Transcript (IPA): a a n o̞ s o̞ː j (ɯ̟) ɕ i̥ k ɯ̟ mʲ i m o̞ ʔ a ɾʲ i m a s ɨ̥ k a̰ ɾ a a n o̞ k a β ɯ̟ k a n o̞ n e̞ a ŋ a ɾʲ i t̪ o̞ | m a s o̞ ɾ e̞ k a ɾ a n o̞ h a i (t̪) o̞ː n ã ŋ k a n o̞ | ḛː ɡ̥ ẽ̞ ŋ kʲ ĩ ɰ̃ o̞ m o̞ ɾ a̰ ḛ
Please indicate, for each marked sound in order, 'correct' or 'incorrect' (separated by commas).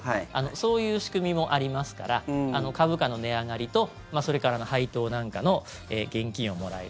incorrect, correct